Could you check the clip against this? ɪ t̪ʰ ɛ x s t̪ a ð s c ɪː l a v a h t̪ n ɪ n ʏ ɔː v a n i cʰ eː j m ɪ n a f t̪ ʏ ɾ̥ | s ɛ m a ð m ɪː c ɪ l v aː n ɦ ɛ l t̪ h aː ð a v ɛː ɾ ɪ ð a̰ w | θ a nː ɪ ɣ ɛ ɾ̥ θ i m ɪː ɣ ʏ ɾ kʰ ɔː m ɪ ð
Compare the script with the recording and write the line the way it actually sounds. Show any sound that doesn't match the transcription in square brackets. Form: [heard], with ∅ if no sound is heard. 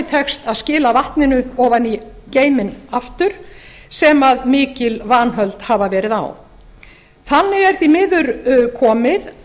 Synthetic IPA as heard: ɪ t̪ʰ ɛ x s t̪ a ð s c ɪː l a v a h t̪ n ɪ n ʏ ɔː v a n i [c] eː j m ɪ n a f t̪ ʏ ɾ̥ | s ɛ m a ð m ɪː c ɪ l v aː n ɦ [œ] l t̪ h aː [v] a v ɛː ɾ ɪ ð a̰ w | θ a nː ɪ ɣ ɛ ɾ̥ θ i m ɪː [ð] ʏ ɾ kʰ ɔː m ɪ ð

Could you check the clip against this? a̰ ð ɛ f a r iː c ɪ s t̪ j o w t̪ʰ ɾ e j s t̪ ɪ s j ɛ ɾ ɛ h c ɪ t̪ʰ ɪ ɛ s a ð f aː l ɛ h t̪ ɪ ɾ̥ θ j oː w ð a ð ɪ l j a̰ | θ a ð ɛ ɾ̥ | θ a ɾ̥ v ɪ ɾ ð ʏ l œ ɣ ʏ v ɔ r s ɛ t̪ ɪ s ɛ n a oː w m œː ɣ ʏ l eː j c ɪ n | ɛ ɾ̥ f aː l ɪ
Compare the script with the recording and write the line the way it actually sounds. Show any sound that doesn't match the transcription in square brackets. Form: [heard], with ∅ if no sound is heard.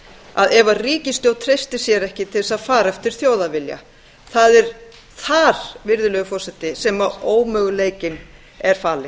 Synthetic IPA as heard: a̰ ð ɛ [v] a r iː c ɪ s t̪ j o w t̪ʰ ɾ e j s t̪ ɪ s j ɛ ɾ ɛ h c ɪ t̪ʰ ɪ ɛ s a ð f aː [ɾ] ɛ [f] t̪ ɪ ɾ̥ θ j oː w ð a [v] ɪ l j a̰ | θ a ð ɛ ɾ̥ | θ a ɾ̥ v ɪ ɾ ð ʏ l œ ɣ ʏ [f] ɔ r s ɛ t̪ ɪ s ɛ [m] a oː w m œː ɣ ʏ l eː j c ɪ n | ɛ ɾ̥ f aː l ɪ

